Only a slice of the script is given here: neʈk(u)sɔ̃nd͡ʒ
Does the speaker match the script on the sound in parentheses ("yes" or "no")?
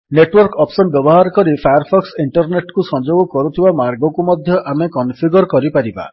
yes